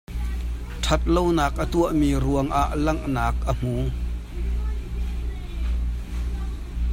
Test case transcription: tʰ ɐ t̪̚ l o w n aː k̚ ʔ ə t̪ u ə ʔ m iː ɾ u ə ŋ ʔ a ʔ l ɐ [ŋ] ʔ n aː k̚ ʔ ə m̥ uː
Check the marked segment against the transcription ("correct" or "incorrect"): correct